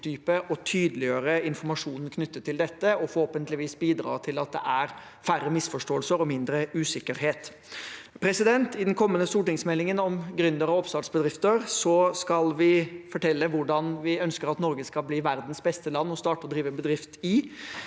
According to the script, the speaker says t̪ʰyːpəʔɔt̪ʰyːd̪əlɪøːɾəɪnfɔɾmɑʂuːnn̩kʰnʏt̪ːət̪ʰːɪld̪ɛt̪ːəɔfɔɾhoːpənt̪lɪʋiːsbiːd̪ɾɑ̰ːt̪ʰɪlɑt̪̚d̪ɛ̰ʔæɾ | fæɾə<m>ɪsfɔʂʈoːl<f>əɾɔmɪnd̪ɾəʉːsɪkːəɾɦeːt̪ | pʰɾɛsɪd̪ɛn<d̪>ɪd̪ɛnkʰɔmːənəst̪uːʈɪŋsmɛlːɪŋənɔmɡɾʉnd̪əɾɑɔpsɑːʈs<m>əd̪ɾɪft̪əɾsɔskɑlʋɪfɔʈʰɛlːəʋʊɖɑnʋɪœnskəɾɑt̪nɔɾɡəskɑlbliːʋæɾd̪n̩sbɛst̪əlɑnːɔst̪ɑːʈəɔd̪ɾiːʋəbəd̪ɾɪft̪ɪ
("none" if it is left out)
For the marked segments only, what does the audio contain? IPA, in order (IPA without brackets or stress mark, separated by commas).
m, s, t̪, b